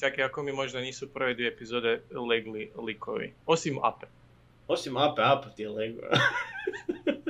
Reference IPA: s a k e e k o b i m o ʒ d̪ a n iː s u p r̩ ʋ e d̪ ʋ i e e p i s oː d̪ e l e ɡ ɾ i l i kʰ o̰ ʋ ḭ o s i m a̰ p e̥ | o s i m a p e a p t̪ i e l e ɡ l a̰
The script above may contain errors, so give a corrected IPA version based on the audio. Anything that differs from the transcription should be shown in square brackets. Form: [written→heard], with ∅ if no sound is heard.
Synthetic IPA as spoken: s a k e [e→a] k o [b→m] i m o ʒ d̪ a n iː s u p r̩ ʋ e d̪ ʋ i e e p i [s→z] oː d̪ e l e ɡ [ɾ→l] i l i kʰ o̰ ʋ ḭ o s i m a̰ p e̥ | o s i m a p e a p t̪ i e l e ɡ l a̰